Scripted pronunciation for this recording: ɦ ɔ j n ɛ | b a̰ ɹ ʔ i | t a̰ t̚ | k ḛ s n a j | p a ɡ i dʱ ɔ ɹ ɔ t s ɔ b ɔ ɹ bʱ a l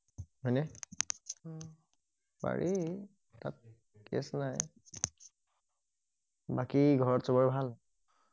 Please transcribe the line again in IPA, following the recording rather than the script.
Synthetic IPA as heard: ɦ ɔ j n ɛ | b a̰ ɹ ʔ i | t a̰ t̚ | k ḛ s n a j | b a k i ɡʱ ɔ ɹ ɔ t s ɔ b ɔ ɹ bʱ a l